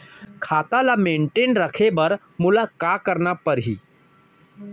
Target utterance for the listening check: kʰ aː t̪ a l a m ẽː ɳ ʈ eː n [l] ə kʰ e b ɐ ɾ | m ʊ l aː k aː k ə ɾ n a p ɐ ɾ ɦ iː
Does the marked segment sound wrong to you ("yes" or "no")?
yes